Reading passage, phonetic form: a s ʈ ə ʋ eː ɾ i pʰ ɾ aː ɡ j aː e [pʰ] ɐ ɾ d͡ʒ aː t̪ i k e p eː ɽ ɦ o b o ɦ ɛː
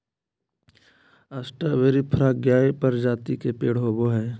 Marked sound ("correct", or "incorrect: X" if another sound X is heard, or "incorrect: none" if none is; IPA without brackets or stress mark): incorrect: p